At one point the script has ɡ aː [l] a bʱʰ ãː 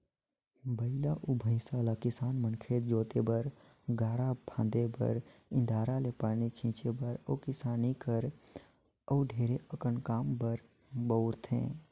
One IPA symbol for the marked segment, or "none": ɽ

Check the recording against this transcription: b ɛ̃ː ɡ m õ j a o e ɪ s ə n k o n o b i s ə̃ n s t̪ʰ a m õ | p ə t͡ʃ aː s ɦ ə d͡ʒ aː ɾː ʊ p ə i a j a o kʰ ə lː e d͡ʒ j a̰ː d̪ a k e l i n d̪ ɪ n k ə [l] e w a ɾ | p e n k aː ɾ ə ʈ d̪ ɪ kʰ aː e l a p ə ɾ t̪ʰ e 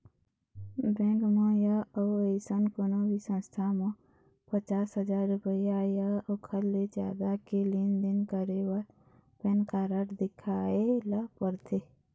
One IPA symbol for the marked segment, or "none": ɾ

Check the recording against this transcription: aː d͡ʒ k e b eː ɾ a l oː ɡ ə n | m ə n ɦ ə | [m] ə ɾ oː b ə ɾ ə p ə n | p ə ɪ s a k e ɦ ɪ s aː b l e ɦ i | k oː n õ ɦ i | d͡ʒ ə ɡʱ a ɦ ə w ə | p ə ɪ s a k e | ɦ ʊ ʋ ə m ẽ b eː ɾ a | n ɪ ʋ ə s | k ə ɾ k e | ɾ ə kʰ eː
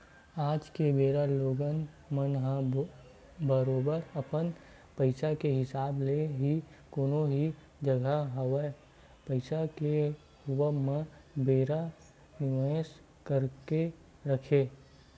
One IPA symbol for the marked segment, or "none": b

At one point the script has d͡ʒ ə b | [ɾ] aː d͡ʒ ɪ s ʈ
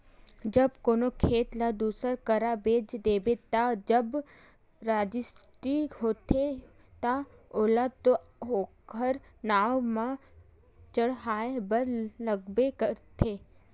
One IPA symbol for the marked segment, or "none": ɾ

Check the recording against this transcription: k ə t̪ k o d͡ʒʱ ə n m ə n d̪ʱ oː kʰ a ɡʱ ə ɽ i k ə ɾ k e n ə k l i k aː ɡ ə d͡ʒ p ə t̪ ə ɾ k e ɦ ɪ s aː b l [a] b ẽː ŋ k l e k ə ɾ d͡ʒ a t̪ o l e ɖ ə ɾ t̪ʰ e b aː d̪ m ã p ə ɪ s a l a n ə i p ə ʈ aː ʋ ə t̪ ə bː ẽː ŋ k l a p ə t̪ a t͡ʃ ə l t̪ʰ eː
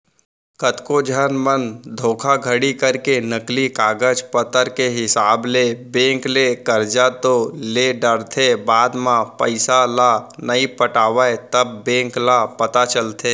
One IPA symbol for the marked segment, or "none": e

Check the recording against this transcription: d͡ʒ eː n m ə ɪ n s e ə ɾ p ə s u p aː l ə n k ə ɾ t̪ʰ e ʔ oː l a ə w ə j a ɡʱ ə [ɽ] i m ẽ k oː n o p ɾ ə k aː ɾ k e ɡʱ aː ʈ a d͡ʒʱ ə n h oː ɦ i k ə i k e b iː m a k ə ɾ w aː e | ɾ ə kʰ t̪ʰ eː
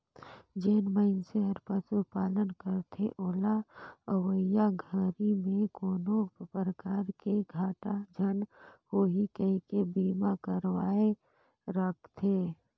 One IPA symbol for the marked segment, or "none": ɾ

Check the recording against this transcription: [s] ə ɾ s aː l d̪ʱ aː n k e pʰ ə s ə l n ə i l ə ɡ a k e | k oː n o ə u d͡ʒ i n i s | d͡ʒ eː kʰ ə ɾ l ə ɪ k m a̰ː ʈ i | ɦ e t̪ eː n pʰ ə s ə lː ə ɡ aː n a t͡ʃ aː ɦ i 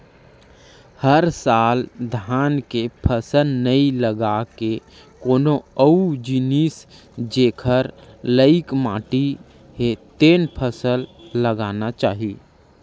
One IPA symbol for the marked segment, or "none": h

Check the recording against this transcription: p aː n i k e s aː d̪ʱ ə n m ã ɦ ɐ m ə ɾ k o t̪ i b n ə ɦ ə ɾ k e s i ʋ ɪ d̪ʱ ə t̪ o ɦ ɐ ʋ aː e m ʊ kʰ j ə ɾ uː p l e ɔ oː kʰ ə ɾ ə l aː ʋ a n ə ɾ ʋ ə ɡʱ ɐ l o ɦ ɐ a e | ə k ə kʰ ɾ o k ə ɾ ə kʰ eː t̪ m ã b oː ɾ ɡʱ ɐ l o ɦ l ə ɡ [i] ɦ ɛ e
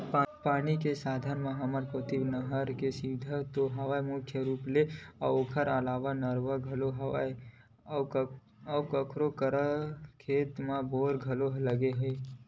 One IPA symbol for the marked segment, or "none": e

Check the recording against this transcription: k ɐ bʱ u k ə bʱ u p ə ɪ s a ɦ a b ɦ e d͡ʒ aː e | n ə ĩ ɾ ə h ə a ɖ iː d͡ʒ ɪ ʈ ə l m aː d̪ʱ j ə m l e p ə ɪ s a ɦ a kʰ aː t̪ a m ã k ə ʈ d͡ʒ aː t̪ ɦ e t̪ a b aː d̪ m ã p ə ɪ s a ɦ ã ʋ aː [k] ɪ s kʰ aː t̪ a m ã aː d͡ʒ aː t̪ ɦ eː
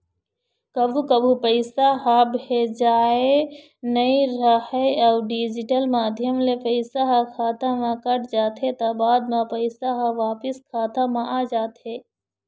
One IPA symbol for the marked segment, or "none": p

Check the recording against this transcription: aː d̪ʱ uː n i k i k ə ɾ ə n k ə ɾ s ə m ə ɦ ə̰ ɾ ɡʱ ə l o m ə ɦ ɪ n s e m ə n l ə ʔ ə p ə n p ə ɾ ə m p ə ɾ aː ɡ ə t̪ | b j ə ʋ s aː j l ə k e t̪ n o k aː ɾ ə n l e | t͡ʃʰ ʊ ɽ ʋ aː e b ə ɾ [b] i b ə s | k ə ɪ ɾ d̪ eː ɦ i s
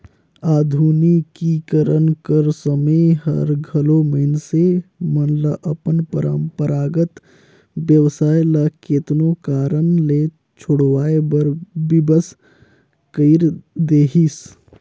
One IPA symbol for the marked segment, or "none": b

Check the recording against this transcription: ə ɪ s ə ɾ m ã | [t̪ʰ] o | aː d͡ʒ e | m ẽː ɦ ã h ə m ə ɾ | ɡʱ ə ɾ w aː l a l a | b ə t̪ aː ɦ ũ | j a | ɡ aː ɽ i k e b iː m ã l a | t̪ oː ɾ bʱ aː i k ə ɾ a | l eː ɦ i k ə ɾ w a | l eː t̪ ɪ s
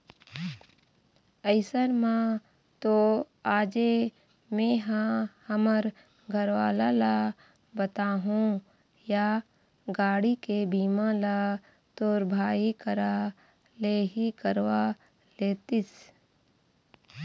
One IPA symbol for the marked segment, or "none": t̪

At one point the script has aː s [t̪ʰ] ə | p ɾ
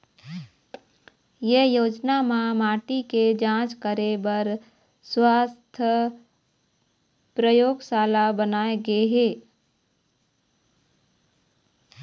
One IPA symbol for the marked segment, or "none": t̪ʰ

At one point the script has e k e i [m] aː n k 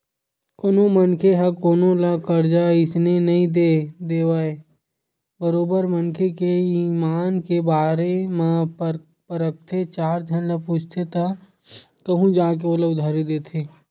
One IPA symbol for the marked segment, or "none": m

